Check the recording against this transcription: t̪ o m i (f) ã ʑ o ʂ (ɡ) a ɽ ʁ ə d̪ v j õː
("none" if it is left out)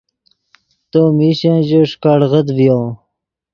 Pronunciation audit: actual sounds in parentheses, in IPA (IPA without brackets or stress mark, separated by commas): ɕ, k